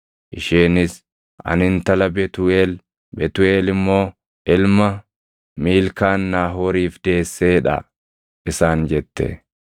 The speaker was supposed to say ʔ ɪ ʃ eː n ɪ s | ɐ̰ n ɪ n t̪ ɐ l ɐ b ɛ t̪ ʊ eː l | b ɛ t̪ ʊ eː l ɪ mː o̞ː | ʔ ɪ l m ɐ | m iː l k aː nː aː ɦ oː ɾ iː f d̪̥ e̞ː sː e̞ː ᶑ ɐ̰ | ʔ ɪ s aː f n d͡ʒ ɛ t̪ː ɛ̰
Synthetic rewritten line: ʔ ɪ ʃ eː n ɪ s | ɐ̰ n ɪ n t̪ ɐ l ɐ b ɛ t̪ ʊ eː l | b ɛ t̪ ʊ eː l ɪ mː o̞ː | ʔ ɪ l m ɐ | m iː l k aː nː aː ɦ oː ɾ iː f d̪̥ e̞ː sː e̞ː ᶑ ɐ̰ | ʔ ɪ s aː n d͡ʒ ɛ t̪ː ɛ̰

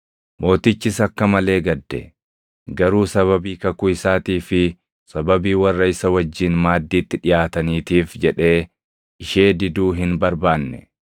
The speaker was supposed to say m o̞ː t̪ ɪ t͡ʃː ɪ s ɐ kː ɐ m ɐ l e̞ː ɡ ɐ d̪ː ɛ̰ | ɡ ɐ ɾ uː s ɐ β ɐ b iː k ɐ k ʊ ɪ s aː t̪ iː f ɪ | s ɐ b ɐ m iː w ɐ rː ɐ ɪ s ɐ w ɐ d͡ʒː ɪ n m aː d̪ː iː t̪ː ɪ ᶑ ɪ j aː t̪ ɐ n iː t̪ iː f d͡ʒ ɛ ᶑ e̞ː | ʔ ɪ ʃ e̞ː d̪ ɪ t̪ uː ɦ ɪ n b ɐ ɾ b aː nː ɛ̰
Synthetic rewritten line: m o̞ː t̪ ɪ t͡ʃː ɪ s ɐ kː ɐ m ɐ l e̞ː ɡ ɐ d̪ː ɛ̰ | ɡ ɐ ɾ uː s ɐ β ɐ b iː k ɐ k ʊ ɪ s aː t̪ iː f ɪ | s ɐ b ɐ b iː w ɐ rː ɐ ɪ s ɐ w ɐ d͡ʒː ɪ n m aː d̪ː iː t̪ː ɪ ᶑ ɪ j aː t̪ ɐ n iː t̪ iː f d͡ʒ ɛ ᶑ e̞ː | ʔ ɪ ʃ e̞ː d̪ ɪ d̪ uː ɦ ɪ n b ɐ ɾ b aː nː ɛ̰

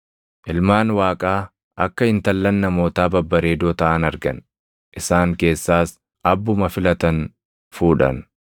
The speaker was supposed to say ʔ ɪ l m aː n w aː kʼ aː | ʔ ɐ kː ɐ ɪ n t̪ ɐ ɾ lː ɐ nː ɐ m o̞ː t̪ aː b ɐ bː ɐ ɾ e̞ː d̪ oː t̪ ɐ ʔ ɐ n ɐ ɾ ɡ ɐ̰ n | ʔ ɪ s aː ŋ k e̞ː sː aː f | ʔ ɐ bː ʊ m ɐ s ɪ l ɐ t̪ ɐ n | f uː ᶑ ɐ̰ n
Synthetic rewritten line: ʔ ɪ l m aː n w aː kʼ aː | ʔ ɐ kː ɐ ɪ n t̪ ɐ lː ɐ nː ɐ m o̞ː t̪ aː b ɐ bː ɐ ɾ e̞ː d̪ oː t̪ ɐ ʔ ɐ n ɐ ɾ ɡ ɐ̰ n | ʔ ɪ s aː ŋ k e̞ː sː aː s | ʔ ɐ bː ʊ m ɐ f ɪ l ɐ t̪ ɐ n | f uː ᶑ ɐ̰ n

